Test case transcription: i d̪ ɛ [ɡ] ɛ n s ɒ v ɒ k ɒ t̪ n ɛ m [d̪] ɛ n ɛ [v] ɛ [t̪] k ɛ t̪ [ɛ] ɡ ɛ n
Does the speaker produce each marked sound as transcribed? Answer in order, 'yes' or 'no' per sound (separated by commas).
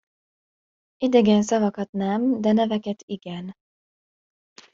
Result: yes, yes, yes, no, no